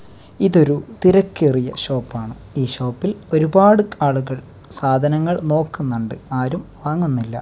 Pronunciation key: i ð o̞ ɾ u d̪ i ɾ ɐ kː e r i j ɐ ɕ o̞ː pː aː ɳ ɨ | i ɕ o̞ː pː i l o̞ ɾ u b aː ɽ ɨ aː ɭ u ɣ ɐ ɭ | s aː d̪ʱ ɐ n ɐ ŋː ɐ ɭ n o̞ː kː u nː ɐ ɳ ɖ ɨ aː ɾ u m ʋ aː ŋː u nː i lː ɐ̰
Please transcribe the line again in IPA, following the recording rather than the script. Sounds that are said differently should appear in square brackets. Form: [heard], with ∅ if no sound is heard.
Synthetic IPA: i ð o̞ ɾ u [t̪] i ɾ ɐ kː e r i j ɐ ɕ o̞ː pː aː ɳ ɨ | [iː] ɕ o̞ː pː i l o̞ ɾ u b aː ɽ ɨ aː ɭ u ɣ ɐ ɭ | s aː d̪ʱ ɐ n ɐ ŋː ɐ ɭ n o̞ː kː u nː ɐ ɳ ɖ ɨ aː ɾ u m ʋ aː ŋː u nː i lː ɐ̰